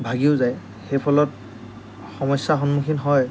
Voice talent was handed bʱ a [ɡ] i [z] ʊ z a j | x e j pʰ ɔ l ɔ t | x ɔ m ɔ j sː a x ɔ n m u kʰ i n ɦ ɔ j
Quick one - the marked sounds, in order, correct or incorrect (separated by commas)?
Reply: correct, incorrect